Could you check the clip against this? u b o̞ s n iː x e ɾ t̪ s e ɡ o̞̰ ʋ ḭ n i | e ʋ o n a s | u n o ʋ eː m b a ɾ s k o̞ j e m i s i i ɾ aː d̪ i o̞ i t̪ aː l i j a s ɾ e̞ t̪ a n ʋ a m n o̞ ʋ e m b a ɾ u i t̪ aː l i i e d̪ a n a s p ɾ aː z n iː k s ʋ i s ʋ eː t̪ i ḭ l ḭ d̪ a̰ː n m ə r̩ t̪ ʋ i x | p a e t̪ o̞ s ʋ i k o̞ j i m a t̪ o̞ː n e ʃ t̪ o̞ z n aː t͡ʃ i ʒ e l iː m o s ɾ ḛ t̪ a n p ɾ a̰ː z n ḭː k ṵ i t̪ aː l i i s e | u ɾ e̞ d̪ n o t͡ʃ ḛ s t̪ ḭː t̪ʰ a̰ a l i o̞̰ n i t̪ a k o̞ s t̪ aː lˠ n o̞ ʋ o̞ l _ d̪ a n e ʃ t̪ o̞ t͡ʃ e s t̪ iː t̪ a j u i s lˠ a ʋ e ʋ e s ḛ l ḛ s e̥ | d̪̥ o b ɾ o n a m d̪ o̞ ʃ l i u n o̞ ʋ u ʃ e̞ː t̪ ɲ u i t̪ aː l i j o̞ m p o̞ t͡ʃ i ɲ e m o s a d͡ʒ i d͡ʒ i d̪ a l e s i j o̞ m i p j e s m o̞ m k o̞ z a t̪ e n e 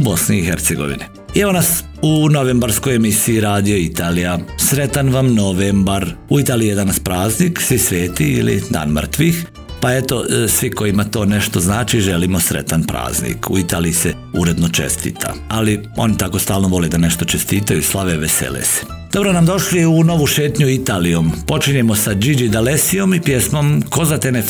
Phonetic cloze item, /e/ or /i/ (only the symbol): e